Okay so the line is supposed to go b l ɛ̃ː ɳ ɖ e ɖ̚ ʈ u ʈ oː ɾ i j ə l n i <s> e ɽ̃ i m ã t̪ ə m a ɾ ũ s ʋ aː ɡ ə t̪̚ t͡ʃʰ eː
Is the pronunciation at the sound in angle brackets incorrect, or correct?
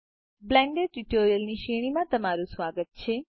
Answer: incorrect